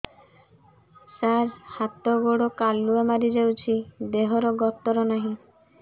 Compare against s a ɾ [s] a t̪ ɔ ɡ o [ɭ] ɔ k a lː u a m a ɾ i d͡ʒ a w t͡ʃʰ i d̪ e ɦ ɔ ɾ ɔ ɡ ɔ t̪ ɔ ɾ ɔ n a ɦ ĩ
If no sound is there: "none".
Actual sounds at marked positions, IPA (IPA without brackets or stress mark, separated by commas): h, ɽ